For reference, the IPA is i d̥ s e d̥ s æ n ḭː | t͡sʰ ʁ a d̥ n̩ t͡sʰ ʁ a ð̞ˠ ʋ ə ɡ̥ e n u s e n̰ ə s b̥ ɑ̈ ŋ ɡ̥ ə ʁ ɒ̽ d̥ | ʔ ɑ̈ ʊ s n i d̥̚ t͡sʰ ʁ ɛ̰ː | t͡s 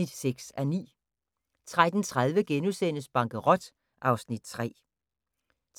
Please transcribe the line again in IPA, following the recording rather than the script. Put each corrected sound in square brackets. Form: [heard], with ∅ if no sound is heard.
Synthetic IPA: i d̥ s e [ɡ̥] s æ n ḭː | t͡sʰ ʁ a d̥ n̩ t͡sʰ ʁ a ð̞ˠ ʋ ə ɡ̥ e n u s e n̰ ə s b̥ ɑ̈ ŋ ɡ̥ ə ʁ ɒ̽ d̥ | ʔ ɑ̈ ʊ s n i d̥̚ t͡sʰ ʁ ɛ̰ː | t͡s